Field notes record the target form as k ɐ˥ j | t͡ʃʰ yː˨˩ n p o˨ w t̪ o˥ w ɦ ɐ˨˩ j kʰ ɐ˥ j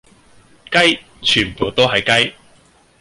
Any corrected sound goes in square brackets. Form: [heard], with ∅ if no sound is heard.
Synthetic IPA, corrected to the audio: k ɐ˥ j | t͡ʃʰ yː˨˩ n p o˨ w t̪ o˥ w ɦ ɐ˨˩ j [k] ɐ˥ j